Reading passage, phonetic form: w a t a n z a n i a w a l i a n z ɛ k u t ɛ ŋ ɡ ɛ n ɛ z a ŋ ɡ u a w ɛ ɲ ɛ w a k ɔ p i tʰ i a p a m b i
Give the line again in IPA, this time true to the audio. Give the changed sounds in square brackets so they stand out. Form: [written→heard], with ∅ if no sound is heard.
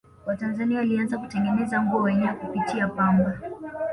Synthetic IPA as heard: w a t a n z a n i a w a l i a n z [ɛ→a] k u t ɛ ŋ ɡ ɛ n ɛ z a ŋ ɡ u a w ɛ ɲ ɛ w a k [ɔ→u] p i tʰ i a p a m b [i→a]

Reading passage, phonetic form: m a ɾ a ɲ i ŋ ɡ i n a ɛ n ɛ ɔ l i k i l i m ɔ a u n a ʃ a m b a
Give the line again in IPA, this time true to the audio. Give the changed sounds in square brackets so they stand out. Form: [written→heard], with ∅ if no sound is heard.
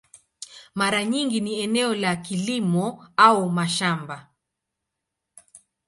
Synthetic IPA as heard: m a ɾ a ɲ i ŋ ɡ i n [a→i] ɛ n ɛ ɔ l [i→a] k i l i m ɔ a u [n→m] a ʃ a m b a

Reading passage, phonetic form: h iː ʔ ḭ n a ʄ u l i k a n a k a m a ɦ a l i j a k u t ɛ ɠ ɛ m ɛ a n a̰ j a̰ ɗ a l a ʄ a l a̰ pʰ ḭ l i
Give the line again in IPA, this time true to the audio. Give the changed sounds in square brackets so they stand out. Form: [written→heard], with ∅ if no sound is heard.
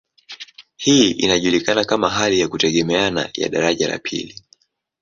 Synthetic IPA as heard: h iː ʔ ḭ n a ʄ u l i k a n a k a m a ɦ a l i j a k u t ɛ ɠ ɛ m ɛ a n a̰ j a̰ ɗ a [l→ɾ] a ʄ a l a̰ pʰ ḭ l i

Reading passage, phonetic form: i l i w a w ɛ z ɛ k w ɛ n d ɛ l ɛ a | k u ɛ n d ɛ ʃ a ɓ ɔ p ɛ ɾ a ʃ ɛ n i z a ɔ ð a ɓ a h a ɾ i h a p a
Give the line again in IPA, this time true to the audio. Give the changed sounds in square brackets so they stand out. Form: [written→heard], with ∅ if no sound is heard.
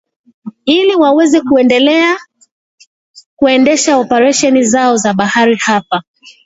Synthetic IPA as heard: i l i w a w ɛ z ɛ k [w→u] ɛ n d ɛ l ɛ a | k u ɛ n d ɛ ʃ a [ɓ→∅] ɔ p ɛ ɾ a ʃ ɛ n i z a ɔ [ð→z] a ɓ a h a ɾ i h a p a

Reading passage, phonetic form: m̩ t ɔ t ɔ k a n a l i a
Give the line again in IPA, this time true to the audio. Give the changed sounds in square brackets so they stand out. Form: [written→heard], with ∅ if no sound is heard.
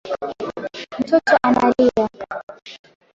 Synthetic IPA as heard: m̩ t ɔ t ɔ [k→ʔ] a n a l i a

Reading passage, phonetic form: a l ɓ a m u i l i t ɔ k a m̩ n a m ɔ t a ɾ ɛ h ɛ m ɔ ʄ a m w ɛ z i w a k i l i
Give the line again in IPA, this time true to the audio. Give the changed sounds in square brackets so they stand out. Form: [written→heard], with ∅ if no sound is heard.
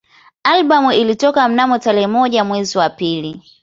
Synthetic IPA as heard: a l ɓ a m u i l i t ɔ k a m̩ n a m ɔ t a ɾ ɛ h ɛ m ɔ ʄ a m w ɛ z i w a [k→p] i l i

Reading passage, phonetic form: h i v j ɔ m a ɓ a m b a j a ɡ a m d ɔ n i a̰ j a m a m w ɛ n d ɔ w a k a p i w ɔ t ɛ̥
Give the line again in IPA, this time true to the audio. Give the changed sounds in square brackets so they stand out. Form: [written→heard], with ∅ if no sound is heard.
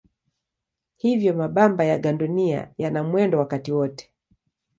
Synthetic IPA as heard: h i v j ɔ m a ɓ a m b a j a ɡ a [m→n] d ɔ n i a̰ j a [m→n] a m w ɛ n d ɔ w a k a [p→t] i w ɔ t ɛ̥

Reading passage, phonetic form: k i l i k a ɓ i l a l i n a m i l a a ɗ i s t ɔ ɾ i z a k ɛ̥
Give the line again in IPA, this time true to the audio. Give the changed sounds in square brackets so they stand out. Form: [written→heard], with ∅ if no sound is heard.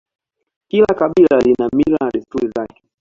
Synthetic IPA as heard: k i l [i→a] k a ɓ i l a l i n a m i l a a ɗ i s t [ɔ→u] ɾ i z a k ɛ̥

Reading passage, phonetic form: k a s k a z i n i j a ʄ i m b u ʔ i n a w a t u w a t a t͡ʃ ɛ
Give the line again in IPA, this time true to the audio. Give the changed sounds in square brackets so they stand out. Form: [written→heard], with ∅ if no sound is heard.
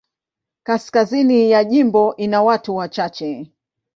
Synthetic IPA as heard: k a s k a z i n i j a ʄ i m b [u→ɔ] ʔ i n a w a t u w a [t→t͡ʃ] a t͡ʃ ɛ

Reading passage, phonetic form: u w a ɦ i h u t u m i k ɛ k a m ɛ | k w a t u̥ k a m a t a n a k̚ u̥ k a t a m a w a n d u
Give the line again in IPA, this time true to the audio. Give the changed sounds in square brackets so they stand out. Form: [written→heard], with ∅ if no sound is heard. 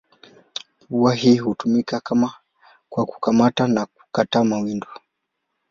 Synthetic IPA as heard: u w a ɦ i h u t u m i k [ɛ→a] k a m [ɛ→a] | k w a [t→k] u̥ k a m a t a n a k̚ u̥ k a t a m a w [a→i] n d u

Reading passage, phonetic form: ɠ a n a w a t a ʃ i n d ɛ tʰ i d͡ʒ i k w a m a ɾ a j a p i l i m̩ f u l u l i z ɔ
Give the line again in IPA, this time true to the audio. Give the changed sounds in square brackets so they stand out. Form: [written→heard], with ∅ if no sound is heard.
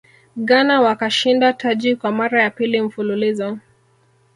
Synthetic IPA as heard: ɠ a n a w a [t→k] a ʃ i n d [ɛ→a] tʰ [i→a] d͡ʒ i k w a m a ɾ a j a p i l i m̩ f u l u l i z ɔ

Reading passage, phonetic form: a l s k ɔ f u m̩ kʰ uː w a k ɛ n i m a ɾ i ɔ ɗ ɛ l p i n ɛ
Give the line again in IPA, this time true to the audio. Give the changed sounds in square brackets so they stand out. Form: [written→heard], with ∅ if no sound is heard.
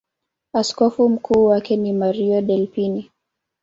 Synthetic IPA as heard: a [l→∅] s k ɔ f u m̩ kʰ uː w a k ɛ n i m a ɾ i ɔ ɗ ɛ l p i n [ɛ→i]

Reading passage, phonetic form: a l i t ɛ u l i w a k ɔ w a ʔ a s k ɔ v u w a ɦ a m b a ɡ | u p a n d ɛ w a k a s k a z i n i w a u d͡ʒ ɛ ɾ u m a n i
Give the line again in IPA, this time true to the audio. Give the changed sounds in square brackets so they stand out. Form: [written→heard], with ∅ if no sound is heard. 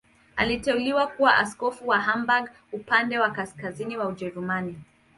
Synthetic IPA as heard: a l i t ɛ u l i w a k [ɔ→u] w a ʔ a s k ɔ [v→f] u w a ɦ a m b a ɡ | u p a n d ɛ w a k a s k a z i n i w a u d͡ʒ ɛ ɾ u m a n i

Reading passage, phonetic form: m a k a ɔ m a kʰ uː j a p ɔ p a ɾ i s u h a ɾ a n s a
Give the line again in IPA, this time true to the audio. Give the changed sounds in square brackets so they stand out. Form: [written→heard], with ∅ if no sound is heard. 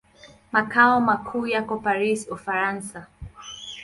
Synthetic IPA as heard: m a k a ɔ m a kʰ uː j a [p→k] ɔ p a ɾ i s u [h→f] a ɾ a n s a

